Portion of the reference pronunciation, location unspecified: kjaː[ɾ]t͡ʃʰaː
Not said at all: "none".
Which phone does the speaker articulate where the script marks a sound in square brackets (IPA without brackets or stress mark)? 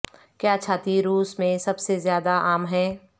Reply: none